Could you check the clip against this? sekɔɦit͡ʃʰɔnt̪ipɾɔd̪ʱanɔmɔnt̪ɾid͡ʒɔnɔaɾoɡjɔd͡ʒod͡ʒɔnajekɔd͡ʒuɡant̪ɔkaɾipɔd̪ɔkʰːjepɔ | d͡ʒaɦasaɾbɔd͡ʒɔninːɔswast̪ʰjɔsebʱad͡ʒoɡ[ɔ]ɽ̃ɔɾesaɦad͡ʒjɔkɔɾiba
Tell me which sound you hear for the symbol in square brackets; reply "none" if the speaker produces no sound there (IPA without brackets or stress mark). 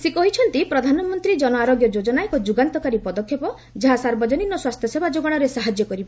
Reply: ɔ